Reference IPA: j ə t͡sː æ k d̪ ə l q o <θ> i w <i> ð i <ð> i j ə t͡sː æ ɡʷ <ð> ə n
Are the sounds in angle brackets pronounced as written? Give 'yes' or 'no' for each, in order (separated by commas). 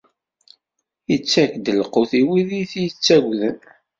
yes, yes, no, yes